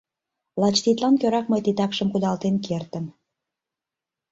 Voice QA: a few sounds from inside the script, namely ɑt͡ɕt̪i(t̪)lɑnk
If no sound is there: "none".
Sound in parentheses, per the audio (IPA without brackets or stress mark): t̪